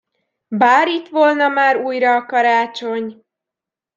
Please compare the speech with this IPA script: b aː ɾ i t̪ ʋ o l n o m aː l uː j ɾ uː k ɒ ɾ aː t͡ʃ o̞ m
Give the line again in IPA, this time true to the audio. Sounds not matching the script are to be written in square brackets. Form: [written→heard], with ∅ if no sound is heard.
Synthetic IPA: b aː ɾ i t̪ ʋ o l n [o→ɒ] m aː [l→ɾ] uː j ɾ [uː→ɒː] k ɒ ɾ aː t͡ʃ o̞ [m→ɲ]